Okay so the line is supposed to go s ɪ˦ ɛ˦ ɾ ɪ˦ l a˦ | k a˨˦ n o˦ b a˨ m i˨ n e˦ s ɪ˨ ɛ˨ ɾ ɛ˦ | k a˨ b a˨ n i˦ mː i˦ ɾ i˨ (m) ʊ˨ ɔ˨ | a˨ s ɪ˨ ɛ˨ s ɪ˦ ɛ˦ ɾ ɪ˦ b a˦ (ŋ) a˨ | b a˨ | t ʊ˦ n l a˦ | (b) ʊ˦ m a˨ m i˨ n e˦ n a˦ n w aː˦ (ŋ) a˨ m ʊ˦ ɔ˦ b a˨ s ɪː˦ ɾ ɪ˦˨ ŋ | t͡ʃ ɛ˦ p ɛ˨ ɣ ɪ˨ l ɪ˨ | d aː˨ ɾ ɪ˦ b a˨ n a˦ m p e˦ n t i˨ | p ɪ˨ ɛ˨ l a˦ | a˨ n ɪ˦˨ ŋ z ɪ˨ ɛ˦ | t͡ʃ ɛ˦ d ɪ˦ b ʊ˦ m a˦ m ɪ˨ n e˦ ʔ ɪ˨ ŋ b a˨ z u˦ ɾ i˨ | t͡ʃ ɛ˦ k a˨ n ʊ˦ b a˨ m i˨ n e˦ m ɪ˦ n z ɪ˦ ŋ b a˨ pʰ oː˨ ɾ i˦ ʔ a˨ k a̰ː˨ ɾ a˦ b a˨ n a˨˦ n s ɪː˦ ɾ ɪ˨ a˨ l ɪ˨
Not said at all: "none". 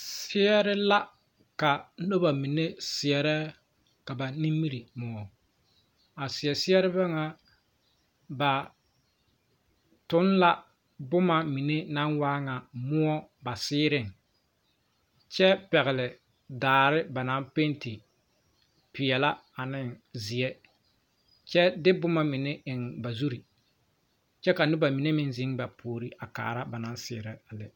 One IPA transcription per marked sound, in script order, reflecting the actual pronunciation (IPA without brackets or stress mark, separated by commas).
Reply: m, ŋ, b, ŋ